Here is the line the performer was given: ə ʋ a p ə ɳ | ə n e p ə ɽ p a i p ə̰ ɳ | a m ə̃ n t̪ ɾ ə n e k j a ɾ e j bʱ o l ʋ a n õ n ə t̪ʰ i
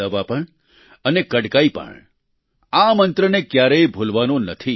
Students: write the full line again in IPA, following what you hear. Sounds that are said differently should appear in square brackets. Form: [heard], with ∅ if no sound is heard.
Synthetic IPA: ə ʋ a p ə ɳ | ə n e [k] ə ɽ [k] a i p ə̰ ɳ | a m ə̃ n t̪ ɾ ə n e k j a ɾ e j bʱ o l ʋ a n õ n ə t̪ʰ i